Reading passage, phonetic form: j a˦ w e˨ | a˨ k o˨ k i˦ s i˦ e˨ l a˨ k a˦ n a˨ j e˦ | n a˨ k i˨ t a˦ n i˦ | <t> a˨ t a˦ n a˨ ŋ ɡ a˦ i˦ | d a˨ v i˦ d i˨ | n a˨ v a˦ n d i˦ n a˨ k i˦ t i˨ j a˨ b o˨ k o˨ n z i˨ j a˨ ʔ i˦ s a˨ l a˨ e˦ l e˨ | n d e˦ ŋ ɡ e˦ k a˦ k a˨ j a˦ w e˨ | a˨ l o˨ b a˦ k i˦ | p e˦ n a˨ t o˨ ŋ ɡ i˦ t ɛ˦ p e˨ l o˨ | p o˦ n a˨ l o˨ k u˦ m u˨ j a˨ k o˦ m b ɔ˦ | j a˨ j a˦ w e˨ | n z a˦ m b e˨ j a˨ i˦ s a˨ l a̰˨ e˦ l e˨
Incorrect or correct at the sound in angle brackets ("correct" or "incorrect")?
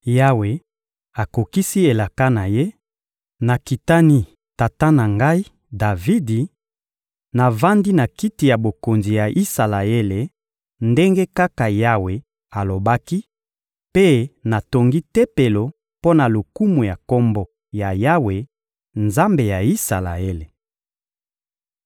correct